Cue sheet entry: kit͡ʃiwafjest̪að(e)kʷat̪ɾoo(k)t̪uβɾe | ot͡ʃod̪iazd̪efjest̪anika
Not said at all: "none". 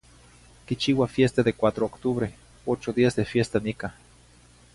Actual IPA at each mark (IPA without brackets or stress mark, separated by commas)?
e, k